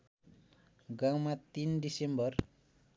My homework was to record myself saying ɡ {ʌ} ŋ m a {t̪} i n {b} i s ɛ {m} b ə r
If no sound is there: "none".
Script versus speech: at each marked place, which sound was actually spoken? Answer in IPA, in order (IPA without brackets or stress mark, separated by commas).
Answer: a, t̪, d, m